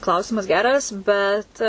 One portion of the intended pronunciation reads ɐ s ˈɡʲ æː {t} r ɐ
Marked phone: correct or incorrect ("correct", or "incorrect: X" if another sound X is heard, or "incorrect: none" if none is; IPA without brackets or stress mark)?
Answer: incorrect: none